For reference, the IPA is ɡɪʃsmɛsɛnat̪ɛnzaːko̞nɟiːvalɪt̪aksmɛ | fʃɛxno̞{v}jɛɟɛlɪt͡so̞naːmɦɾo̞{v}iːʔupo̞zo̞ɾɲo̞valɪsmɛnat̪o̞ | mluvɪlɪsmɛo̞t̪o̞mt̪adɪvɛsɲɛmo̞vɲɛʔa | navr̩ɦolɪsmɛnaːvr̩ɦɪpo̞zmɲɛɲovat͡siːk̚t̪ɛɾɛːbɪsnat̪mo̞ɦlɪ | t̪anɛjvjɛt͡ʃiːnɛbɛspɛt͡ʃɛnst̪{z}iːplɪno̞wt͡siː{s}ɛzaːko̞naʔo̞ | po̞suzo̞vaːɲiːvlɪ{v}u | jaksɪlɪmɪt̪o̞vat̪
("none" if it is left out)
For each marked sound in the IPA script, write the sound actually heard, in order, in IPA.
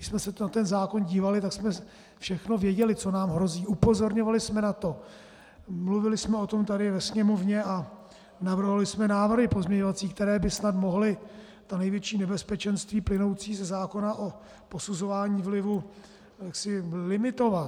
v, z, v, z, v

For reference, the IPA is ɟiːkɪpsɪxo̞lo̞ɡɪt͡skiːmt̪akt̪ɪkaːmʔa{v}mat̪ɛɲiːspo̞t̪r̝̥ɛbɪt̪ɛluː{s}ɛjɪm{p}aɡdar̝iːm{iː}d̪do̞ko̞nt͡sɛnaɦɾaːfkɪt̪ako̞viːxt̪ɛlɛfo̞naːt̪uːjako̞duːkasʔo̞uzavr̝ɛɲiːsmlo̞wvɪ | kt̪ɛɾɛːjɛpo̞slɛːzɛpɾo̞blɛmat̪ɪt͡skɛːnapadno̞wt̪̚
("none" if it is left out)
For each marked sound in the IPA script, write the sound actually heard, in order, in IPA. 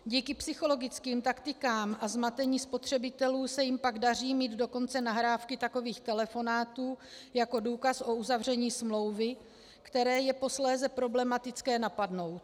z, s, p, iː

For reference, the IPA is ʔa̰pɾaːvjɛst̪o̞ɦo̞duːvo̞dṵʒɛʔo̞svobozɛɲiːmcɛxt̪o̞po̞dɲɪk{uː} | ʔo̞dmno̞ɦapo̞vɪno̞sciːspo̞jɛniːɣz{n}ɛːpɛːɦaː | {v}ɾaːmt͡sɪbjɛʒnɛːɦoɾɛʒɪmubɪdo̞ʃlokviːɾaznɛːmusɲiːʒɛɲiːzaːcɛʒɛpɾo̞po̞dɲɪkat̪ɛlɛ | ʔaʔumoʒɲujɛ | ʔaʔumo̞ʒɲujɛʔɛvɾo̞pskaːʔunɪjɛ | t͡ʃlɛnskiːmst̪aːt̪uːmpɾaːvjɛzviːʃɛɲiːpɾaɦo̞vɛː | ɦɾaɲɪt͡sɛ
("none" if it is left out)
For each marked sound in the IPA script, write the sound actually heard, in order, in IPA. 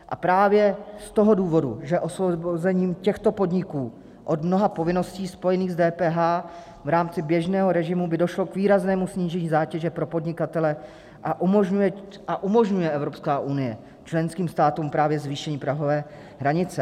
uː, d, v

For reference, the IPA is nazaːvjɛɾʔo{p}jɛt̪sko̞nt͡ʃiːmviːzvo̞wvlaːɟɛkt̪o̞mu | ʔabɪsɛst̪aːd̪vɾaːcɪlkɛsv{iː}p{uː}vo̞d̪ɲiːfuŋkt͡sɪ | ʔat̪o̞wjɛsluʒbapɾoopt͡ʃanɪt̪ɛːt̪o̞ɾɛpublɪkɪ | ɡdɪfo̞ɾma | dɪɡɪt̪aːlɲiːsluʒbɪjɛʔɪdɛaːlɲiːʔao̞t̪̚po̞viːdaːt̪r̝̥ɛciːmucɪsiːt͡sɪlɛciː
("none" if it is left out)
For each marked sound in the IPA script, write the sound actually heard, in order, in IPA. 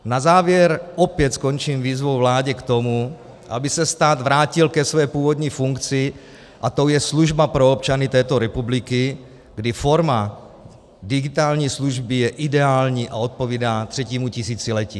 p, ɛː, uː

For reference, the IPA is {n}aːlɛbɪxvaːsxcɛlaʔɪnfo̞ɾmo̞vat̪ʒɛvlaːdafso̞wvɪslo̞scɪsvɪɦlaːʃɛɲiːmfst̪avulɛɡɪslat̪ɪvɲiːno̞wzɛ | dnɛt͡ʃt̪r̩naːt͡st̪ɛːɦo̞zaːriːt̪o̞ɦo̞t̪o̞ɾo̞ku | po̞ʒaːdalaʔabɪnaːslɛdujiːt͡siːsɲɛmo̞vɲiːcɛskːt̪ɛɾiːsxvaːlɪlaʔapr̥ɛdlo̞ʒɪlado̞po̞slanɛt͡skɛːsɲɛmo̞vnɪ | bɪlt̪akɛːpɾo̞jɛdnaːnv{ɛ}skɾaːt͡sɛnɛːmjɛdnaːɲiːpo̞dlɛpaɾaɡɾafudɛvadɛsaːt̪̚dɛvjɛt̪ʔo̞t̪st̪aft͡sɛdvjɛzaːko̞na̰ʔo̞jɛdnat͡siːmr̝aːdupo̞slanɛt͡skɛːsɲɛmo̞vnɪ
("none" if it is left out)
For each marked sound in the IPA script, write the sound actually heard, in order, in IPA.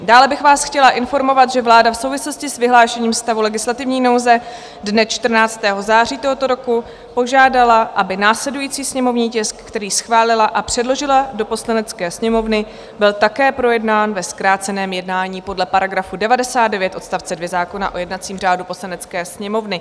d, ɛ

